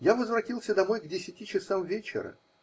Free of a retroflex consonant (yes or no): yes